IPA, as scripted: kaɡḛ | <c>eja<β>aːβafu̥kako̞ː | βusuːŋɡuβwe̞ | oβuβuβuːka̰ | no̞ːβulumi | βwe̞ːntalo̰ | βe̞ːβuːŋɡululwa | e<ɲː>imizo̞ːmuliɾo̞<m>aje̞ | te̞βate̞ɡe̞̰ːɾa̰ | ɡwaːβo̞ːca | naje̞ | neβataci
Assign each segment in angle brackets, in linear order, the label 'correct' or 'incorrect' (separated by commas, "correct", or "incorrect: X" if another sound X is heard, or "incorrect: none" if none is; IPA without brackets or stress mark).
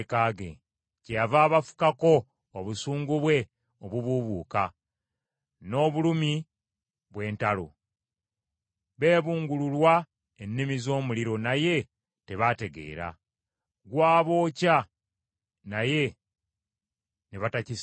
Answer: correct, incorrect: v, incorrect: nː, incorrect: n